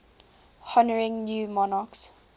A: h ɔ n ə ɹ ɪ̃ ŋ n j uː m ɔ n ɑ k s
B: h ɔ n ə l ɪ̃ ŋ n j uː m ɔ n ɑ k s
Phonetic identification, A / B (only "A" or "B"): A